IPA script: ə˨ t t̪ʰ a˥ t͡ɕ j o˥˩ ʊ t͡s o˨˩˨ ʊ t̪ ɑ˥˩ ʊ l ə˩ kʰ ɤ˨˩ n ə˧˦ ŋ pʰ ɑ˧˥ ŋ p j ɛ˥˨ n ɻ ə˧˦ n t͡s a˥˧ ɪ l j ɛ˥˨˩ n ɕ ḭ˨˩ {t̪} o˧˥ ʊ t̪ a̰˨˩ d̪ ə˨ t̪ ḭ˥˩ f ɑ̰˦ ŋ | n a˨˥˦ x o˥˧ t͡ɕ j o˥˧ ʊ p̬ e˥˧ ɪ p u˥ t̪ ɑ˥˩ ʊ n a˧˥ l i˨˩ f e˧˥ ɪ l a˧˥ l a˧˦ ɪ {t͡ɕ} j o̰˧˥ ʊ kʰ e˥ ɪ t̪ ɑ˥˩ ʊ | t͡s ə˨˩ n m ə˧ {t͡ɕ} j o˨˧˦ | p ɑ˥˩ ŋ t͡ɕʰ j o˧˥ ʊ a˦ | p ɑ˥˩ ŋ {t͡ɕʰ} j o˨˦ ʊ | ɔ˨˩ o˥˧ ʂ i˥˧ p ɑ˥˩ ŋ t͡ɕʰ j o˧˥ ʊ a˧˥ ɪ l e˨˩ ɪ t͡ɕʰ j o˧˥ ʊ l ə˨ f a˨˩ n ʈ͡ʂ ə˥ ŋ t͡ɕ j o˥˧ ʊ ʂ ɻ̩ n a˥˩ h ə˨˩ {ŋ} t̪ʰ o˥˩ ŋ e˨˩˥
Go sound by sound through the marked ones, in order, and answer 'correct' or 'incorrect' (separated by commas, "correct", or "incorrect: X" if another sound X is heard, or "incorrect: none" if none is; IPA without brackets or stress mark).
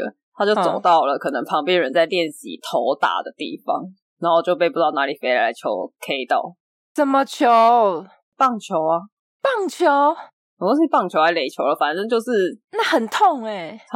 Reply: incorrect: t̪ʰ, incorrect: t͡ɕʰ, incorrect: t͡ɕʰ, correct, incorrect: n